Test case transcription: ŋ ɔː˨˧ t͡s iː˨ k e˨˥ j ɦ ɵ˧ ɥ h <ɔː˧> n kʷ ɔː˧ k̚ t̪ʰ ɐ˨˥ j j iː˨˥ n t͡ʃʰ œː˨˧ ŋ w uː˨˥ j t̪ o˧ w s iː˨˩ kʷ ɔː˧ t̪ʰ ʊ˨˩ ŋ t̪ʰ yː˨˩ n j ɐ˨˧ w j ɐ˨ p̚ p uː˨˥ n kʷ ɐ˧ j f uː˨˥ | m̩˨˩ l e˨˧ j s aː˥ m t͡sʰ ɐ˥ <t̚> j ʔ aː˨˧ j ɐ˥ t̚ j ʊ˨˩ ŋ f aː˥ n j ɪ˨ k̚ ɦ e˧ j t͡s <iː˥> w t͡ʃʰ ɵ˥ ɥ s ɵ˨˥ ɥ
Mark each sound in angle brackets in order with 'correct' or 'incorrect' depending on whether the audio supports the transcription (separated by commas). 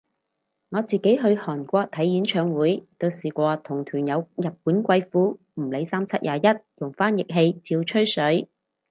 incorrect, correct, incorrect